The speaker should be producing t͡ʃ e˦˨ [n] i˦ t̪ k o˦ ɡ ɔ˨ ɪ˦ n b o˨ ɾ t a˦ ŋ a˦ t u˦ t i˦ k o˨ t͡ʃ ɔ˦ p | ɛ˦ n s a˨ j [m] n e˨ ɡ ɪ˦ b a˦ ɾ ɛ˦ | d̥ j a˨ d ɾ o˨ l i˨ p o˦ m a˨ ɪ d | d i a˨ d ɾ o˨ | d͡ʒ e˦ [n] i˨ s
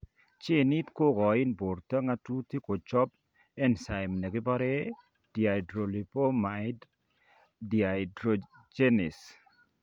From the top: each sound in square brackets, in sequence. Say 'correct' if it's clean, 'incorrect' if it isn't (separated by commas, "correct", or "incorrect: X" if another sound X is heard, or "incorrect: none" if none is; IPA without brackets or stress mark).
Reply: correct, correct, correct